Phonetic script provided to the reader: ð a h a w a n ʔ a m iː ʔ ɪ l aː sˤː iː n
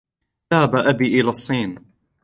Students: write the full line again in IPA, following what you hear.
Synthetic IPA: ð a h a b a ʔ a b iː ʔ ɪ l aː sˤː iː n